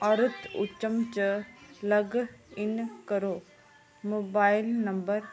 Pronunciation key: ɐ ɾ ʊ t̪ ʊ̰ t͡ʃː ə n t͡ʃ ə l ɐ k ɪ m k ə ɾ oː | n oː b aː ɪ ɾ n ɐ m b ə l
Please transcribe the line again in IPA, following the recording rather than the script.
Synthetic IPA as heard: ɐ ɾ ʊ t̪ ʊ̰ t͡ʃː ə m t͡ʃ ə l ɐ ɡ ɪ n k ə ɾ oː | m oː b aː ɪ l n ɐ m b ə ɾ